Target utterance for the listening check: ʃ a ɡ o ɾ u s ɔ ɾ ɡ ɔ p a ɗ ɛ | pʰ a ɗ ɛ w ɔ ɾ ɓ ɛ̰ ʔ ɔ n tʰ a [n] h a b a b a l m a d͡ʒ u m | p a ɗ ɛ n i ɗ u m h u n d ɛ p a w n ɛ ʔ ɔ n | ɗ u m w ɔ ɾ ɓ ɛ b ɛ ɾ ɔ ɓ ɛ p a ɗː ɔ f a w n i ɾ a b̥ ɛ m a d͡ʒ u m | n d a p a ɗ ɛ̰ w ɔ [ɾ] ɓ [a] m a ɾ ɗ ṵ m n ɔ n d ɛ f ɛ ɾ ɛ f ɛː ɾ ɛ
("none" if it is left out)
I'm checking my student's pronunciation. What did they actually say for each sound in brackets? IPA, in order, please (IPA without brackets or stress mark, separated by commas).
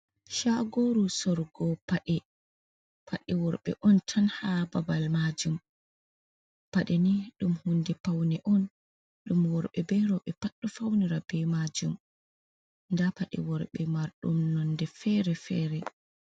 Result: n, ɾ, ɛ